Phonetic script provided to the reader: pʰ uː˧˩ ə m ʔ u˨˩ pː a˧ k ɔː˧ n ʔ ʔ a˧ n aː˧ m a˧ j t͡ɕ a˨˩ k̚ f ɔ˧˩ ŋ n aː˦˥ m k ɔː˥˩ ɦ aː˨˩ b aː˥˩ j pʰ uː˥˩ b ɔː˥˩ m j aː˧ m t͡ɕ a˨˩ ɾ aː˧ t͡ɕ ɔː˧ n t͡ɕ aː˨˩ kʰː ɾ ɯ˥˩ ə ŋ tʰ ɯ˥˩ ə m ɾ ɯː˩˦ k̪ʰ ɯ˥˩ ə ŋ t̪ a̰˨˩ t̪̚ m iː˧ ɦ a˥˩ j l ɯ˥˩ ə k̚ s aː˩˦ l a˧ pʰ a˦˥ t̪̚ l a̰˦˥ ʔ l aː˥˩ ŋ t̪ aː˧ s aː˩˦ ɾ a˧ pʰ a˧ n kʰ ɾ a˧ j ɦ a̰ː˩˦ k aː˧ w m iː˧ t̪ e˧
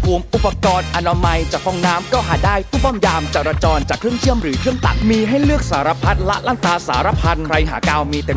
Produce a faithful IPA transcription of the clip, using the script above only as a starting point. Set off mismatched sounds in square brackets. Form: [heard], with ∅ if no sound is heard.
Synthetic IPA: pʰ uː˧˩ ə m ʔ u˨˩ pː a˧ k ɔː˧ n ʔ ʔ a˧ n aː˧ m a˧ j t͡ɕ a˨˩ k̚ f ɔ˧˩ ŋ n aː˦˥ m k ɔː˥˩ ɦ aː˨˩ [d] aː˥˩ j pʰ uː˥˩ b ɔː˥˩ m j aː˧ m t͡ɕ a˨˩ ɾ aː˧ t͡ɕ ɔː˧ n t͡ɕ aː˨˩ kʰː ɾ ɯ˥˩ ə ŋ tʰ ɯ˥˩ ə m ɾ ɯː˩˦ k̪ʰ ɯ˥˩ ə ŋ t̪ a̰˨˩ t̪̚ m iː˧ ɦ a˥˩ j l ɯ˥˩ ə k̚ s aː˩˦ [ɾ] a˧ pʰ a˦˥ t̪̚ l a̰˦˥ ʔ l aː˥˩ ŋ t̪ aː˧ s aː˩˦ ɾ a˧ pʰ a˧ n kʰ ɾ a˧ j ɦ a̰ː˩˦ k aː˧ w m iː˧ t̪ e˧